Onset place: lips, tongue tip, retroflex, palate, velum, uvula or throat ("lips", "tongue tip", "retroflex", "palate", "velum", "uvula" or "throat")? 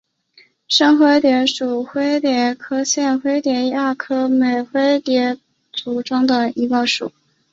retroflex